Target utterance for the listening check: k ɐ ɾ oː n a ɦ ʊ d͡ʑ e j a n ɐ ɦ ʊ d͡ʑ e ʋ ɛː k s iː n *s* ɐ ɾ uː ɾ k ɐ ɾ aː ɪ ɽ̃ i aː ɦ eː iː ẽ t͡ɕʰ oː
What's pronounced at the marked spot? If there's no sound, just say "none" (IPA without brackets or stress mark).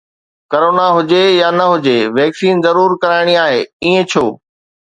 z